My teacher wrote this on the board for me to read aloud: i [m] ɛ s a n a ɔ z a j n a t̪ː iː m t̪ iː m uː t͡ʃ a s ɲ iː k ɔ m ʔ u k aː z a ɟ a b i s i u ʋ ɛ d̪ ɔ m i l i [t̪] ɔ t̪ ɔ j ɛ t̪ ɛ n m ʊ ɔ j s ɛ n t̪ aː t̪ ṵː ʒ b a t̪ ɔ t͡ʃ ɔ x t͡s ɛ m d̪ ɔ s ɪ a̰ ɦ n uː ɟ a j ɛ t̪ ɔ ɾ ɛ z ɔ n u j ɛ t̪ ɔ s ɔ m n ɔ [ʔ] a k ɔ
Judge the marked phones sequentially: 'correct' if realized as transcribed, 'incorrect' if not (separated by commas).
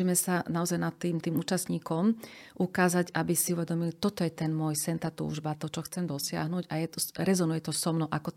correct, correct, correct